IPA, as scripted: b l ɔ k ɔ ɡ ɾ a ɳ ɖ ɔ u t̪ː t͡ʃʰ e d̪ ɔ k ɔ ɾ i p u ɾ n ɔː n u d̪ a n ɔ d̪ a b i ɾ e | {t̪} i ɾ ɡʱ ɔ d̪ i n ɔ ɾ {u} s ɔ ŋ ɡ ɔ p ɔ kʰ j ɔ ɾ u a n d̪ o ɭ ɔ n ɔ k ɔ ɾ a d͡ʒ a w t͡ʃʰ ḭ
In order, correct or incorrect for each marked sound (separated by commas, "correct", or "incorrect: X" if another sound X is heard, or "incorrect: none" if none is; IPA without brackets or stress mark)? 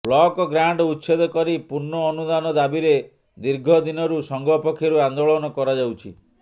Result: incorrect: d̪, correct